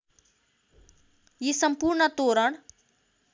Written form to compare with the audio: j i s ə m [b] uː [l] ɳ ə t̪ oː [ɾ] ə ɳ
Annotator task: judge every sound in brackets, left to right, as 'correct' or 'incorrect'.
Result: incorrect: p, incorrect: ɾ, correct

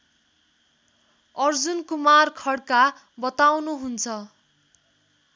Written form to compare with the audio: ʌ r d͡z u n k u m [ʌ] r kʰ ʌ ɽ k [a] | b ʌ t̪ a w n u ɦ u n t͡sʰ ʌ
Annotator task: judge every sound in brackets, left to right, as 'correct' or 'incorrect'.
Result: incorrect: a, correct

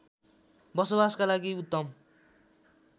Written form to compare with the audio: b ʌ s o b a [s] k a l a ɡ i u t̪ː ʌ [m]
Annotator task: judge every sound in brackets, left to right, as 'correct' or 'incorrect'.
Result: correct, correct

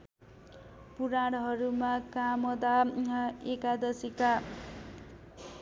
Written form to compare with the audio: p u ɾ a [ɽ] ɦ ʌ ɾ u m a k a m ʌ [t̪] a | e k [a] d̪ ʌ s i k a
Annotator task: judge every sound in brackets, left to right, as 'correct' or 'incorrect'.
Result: correct, incorrect: d̪, correct

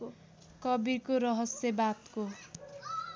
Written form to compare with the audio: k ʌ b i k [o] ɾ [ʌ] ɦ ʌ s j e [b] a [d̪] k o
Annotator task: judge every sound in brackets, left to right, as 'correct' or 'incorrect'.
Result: correct, correct, correct, incorrect: t̪

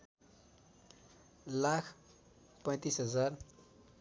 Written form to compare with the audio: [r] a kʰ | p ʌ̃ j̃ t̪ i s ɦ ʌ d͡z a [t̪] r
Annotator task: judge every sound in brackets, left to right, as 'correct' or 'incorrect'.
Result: incorrect: l, incorrect: none

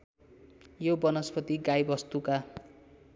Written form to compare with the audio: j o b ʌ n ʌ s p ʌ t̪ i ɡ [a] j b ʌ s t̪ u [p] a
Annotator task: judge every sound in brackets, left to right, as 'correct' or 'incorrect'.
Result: correct, incorrect: k

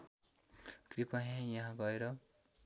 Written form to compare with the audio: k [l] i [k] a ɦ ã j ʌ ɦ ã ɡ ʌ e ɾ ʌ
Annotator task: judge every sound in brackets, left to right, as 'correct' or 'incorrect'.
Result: incorrect: r, incorrect: p

